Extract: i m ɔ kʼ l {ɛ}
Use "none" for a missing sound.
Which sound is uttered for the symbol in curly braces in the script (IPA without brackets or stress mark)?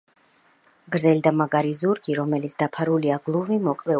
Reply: ɛ